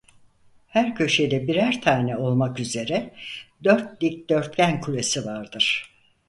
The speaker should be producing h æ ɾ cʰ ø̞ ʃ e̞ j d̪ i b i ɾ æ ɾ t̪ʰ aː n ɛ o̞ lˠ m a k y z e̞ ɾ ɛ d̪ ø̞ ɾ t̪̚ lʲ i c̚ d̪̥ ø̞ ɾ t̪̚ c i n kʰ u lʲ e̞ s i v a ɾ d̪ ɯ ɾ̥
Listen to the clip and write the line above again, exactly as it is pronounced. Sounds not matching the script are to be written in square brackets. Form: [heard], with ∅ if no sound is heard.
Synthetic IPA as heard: h æ ɾ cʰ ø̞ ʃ e̞ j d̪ [ɛ] b i ɾ æ ɾ t̪ʰ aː n ɛ o̞ lˠ m a k y z e̞ ɾ ɛ d̪ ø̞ ɾ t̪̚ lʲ i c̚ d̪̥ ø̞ ɾ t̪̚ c [æ] n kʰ u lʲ e̞ s i v a ɾ d̪ ɯ ɾ̥